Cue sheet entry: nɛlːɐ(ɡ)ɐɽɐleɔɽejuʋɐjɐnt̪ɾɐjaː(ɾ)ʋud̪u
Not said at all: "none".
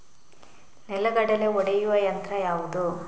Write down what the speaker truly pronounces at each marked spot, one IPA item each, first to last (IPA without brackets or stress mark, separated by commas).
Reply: ɡ, none